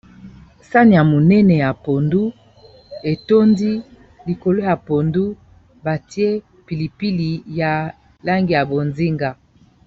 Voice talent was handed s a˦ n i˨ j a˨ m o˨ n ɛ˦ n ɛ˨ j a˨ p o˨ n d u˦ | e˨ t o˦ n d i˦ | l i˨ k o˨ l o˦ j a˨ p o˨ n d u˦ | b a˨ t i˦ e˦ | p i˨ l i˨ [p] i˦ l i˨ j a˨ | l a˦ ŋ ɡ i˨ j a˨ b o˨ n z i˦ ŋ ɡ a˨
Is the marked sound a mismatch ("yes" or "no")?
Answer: no